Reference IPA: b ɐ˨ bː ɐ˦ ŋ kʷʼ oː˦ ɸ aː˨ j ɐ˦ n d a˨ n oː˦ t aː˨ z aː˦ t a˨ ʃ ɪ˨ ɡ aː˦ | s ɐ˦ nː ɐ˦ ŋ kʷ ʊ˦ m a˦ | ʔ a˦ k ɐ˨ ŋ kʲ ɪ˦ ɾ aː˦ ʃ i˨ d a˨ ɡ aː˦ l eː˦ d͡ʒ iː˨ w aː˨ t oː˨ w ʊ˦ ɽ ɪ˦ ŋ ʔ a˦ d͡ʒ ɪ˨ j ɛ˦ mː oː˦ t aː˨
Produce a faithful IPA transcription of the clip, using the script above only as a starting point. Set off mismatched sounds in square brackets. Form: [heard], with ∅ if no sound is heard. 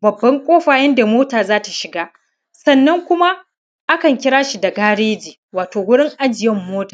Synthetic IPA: b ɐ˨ bː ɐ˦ ŋ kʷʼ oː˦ ɸ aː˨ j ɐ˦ n d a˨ [m] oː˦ t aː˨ z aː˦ t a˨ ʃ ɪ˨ ɡ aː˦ | s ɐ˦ nː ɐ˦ ŋ kʷ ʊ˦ m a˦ | ʔ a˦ k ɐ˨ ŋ kʲ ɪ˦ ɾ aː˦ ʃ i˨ d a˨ ɡ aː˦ [ɽ] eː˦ d͡ʒ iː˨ w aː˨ t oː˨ w ʊ˦ ɽ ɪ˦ ŋ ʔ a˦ d͡ʒ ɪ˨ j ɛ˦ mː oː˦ t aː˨